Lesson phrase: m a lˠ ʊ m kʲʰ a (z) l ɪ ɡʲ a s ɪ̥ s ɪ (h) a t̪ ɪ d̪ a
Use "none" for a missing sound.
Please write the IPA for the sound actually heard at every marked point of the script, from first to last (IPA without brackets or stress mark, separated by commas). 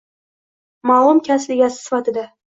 s, f